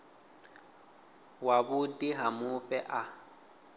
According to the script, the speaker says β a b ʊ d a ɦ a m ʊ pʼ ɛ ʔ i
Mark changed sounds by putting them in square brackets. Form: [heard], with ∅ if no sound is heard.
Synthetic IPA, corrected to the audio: [w] a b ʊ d [i] ɦ a m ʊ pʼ ɛ ʔ [a]